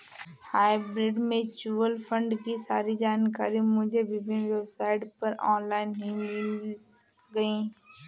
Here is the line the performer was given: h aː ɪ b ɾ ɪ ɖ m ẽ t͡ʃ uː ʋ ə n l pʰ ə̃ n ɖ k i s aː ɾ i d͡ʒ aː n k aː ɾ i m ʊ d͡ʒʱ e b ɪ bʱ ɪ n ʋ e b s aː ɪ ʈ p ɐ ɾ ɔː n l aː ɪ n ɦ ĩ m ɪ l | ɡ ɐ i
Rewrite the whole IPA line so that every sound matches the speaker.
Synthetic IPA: h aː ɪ b ɾ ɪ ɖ m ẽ t͡ʃ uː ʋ ə l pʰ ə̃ ɳ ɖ k i s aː ɾ i d͡ʒ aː n k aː ɾ i m ʊ d͡ʒʱ e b ɪ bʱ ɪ n ʋ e b s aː ɪ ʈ p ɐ ɾ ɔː n l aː ɪ n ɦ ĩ m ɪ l | ɡ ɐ i